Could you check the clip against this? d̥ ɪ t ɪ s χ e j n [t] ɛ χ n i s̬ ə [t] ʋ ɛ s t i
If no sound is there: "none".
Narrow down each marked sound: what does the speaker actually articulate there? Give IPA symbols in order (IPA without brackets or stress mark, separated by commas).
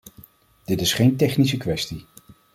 t, k